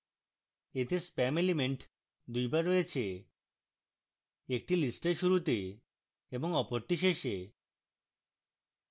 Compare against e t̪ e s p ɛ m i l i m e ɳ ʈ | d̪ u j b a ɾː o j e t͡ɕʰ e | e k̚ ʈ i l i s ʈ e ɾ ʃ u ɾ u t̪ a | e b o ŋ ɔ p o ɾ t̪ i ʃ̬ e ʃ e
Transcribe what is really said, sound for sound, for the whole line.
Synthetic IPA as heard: e t̪ e s p ɛ m e l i m e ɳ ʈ | d̪ u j b a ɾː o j e t͡ɕʰ e | e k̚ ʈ i l i s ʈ e ɾ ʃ u ɾ u t̪ e | e b o ŋ ɔ p o ɾ t̪ i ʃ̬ e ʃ e

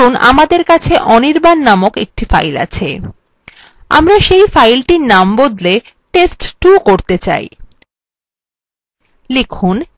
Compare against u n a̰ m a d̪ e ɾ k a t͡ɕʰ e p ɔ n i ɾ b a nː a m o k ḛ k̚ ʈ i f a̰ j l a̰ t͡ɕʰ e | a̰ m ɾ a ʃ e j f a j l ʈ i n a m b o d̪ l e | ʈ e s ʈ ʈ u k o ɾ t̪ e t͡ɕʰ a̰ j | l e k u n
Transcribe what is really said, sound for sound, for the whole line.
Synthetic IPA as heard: u n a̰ m a d̪ e ɾ k a t͡ɕʰ e ʔ ɔ n i ɾ b a nː a m o k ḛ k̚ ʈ i f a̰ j l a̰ t͡ɕʰ e | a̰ m ɾ a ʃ e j f a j l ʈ i n a m b o d̪ l e | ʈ e s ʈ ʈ u k o ɾ t̪ e t͡ɕ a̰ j | l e kʰ u n

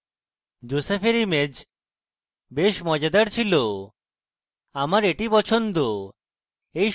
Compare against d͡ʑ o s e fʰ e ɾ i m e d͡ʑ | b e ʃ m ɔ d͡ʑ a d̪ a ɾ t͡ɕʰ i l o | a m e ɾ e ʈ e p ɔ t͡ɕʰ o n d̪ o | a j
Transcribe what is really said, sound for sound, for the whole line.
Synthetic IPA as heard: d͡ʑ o s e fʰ e ɾ i m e d͡ʑ | b e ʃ m ɔ d͡ʑ a d̪ a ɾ t͡ɕʰ i l o | a m a ɾ e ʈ i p ɔ t͡ɕʰ o n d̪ o | e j

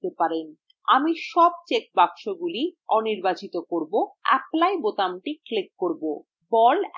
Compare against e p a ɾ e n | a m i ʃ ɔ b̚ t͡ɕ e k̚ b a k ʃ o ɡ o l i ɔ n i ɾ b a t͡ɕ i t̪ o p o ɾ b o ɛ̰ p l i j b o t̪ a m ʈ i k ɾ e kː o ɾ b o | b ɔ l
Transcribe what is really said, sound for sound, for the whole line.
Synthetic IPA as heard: e p a ɾ e n | a m i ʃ ɔ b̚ t͡ɕ e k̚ b a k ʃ o ɡ u l i ɔ n i ɾ b a t͡ɕ i t̪ o k o ɾ b o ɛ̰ p l a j b o t̪ a m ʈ i k l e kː o ɾ b o | b ɔ l

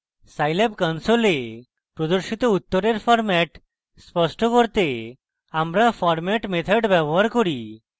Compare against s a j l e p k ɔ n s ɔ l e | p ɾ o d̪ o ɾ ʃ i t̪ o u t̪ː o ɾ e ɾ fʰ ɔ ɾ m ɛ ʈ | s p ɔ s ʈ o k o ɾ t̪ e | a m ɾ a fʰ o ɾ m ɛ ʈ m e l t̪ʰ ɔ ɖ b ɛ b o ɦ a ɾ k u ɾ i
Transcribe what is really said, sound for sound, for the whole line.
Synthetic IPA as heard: s a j l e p k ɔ n s o l e | p ɾ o d̪ o ɾ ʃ i t̪ o u t̪ː o ɾ e ɾ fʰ ɔ ɾ m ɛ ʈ | s p ɔ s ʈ o k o ɾ t̪ e | a m ɾ a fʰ ɔ ɾ m ɛ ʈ m e t̪ʰ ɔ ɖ b ɛ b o ɦ a ɾ k o ɾ i

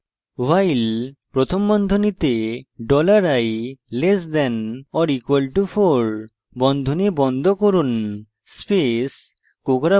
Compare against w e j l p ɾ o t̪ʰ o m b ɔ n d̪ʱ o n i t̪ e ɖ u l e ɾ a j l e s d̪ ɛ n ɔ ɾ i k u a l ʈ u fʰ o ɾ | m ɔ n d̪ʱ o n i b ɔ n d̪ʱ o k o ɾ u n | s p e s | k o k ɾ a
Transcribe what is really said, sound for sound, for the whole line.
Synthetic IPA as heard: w a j l p ɾ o t̪ʰ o m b ɔ n d̪ʱ o n i t̪ e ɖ ɔ l a ɾ a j l e s d̪ ɛ n ɔ ɾ i k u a l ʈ u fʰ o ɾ | b ɔ n d̪ʱ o n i b ɔ n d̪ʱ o k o ɾ u n | s p e s | k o k ɾ a

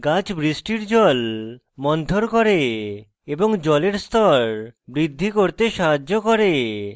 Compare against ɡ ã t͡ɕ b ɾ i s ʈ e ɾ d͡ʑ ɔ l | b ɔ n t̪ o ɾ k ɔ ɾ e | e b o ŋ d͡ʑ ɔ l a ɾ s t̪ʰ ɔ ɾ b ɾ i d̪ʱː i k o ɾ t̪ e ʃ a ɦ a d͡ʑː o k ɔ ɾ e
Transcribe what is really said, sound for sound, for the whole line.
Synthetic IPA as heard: ɡ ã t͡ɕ b ɾ i s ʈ i ɾ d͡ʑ ɔ l | m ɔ n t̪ o ɾ k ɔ ɾ e | e b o ŋ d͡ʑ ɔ l e ɾ s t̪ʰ ɔ ɾ b ɾ i d̪ʱː i k o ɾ t̪ e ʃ a ɦ a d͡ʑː o k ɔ ɾ e

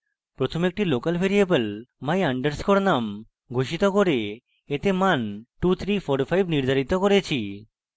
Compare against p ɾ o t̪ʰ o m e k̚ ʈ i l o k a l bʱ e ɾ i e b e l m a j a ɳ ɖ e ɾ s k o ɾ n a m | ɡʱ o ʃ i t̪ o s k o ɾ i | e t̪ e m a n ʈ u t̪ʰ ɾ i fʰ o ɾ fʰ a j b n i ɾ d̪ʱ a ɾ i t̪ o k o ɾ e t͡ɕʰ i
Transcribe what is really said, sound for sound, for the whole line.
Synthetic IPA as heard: p ɾ o t̪ʰ o m e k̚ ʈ i l o k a l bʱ e ɾ i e b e l m a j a ɳ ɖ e ɾ s k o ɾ n a m | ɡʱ o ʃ i t̪ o k o ɾ e | e t̪ e m a n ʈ u t̪ʰ ɾ i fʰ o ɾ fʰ a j b n i ɾ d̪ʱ a ɾ i t̪ o k o ɾ e t͡ɕʰ i

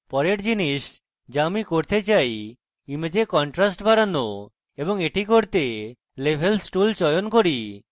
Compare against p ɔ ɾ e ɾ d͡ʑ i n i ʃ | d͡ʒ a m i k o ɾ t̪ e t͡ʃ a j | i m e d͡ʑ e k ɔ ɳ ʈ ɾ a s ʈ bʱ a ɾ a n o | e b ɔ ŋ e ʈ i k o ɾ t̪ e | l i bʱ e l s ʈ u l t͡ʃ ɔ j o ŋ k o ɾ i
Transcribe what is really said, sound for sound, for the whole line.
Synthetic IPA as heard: p ɔ ɾ e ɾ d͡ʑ i n i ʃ | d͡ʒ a m i k o ɾ t̪ e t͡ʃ a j | i m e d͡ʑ e k ɔ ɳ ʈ ɾ a s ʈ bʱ a ɾ a n o | e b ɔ ŋ e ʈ i k o ɾ t̪ e | l e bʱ e l s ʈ u l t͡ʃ ɔ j o n k o ɾ i

